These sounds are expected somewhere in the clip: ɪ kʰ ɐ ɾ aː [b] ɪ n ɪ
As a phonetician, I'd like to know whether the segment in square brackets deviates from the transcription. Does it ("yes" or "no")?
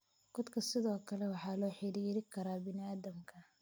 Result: no